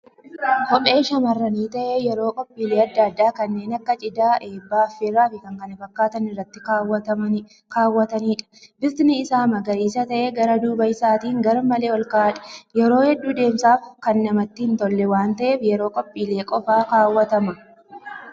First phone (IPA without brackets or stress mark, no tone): h